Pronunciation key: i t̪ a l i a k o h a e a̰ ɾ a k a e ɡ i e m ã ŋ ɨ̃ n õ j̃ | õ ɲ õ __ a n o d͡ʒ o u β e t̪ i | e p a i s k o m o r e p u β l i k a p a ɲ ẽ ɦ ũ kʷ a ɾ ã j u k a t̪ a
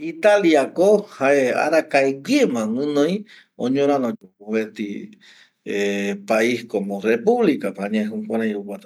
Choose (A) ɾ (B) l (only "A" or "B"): A